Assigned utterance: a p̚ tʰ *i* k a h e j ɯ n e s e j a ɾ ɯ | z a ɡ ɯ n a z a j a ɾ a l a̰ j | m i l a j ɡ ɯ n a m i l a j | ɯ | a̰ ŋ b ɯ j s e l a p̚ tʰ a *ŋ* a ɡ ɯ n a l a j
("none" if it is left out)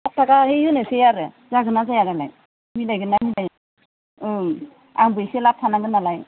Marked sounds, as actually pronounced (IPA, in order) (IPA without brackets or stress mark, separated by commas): a, n